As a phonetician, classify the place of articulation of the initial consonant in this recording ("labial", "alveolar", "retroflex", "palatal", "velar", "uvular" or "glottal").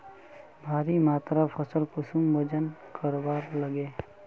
labial